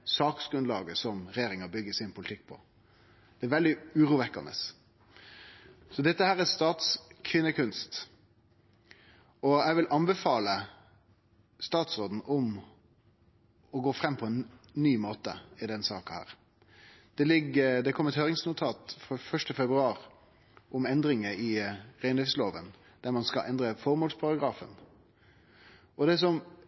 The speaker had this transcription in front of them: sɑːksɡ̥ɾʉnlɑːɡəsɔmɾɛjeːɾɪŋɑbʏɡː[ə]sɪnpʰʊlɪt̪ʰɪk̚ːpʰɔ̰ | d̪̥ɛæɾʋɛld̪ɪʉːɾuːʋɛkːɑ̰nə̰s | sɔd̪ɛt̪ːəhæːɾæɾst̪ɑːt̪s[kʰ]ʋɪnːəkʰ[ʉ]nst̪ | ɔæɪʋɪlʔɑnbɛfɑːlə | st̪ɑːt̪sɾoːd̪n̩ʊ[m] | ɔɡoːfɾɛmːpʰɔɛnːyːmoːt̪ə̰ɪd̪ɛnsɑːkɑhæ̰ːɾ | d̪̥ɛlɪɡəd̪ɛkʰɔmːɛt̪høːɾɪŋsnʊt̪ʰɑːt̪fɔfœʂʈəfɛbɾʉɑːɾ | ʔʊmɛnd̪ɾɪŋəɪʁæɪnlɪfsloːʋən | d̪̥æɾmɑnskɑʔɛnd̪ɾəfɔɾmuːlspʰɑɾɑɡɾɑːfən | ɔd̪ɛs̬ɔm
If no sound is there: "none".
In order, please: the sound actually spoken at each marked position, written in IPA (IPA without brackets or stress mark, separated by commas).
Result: ə, kʰ, ʉ, m